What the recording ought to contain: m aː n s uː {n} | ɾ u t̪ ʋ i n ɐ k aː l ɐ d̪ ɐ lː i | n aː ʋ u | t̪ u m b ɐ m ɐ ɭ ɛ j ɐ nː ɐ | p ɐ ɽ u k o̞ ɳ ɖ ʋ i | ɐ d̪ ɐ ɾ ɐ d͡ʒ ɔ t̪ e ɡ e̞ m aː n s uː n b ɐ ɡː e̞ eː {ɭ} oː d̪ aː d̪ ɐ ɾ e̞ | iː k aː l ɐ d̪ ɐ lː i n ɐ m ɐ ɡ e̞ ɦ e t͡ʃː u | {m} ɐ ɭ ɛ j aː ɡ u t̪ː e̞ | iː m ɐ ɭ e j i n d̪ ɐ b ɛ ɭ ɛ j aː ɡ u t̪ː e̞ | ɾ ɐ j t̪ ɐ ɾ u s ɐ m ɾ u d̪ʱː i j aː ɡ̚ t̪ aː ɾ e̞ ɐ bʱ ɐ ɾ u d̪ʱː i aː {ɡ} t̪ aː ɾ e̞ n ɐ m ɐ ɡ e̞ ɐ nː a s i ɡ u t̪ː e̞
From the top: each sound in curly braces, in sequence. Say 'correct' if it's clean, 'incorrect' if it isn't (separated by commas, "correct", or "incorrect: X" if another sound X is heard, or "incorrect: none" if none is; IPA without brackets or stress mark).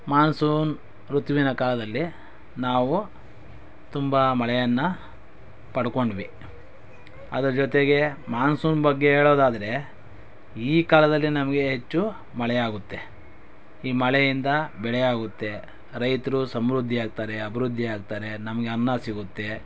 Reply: correct, correct, correct, correct